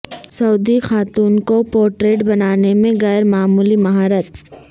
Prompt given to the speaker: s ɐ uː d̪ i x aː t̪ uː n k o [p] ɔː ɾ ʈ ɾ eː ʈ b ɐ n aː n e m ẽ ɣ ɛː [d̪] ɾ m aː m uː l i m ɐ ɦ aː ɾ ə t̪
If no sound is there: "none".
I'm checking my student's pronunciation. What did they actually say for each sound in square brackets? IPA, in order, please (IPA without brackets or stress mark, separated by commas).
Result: p, none